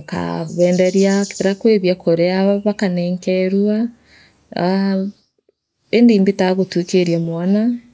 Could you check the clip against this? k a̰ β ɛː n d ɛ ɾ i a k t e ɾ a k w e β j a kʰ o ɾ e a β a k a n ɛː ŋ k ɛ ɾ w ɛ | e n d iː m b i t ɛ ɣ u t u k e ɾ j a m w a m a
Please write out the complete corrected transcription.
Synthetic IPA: k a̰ β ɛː n d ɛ ɾ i a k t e ɾ a k w e β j a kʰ o ɾ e a β a k a n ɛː ŋ k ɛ ɾ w a | e n d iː m b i t a ɣ o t u k e ɾ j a m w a n a